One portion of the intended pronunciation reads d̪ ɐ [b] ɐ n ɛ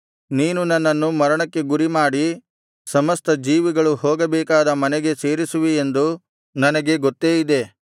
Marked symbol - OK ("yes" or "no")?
no